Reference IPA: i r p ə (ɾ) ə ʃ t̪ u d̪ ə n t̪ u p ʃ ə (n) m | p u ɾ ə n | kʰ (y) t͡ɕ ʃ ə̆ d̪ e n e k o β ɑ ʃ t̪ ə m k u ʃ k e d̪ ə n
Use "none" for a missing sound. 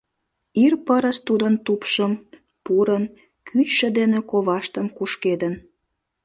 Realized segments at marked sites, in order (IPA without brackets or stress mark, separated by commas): ɾ, none, y